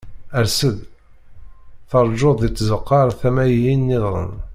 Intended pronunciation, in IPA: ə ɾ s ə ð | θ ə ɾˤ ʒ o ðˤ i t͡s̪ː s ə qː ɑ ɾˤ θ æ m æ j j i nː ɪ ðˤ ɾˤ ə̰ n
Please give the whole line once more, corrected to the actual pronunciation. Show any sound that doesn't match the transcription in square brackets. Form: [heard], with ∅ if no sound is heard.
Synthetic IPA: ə ɾ s ə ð | θ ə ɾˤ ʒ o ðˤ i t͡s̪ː [z] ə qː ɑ ɾˤ θ æ m æ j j i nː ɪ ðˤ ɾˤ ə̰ n